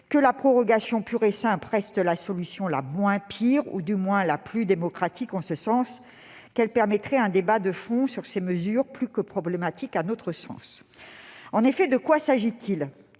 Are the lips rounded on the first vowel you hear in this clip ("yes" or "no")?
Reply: no